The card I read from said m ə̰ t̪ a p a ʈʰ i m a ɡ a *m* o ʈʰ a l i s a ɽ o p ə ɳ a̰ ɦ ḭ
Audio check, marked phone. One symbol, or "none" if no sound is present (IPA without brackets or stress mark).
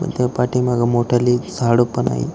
m